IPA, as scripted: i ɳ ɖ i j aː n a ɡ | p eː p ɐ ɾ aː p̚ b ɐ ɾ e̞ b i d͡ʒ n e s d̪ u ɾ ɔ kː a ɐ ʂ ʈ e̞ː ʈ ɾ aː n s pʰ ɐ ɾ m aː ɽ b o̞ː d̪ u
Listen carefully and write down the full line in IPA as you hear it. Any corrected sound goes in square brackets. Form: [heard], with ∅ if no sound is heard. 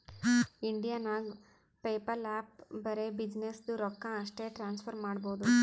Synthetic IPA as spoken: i ɳ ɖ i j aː n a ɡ | p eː p ɐ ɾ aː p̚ b ɐ ɾ e̞ b i d͡ʒ n e s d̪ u ɾ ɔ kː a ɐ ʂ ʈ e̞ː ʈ ɾ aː n s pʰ ɐ ɾ m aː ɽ b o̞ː d̪ u